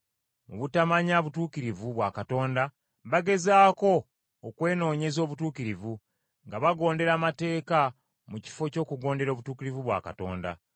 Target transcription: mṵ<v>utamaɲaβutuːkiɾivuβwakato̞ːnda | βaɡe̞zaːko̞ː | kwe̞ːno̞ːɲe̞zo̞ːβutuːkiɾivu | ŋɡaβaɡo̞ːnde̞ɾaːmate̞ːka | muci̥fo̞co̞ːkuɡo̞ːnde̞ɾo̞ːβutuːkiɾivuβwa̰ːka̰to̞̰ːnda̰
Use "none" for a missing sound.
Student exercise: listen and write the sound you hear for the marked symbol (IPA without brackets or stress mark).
β